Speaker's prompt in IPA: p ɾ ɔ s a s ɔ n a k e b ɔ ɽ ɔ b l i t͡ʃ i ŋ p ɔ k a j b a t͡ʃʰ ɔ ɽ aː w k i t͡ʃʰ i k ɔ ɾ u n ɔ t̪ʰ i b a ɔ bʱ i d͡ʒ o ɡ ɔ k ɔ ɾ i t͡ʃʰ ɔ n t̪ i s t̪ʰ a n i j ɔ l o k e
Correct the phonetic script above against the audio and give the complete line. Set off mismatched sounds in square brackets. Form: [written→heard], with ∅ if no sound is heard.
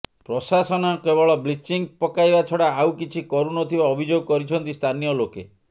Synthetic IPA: p ɾ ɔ s a s ɔ n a k e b ɔ [ɽ→ɭ] ɔ b l i t͡ʃ i ŋ p ɔ k a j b a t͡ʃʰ ɔ ɽ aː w k i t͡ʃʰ i k ɔ ɾ u n ɔ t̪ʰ i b a ɔ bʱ i d͡ʒ o ɡ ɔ k ɔ ɾ i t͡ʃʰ ɔ n t̪ i s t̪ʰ a n i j ɔ l o k e